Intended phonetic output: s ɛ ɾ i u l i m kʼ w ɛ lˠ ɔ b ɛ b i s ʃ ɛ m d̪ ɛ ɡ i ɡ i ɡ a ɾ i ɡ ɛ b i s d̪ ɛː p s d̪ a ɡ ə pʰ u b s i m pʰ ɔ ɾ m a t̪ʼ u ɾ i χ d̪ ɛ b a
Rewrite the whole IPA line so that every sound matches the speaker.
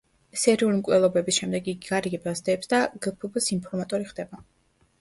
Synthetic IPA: s ɛ ɾ i u l i m kʼ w ɛ lˠ ɔ b ɛ b i s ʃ ɛ m d̪ ɛ ɡ i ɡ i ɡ a ɾ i ɡ ɛ b a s d̪ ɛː p s d̪ a ɡ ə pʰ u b s i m pʰ ɔ ɾ m a t̪ʼ ɔ ɾ i χ d̪ ɛ b a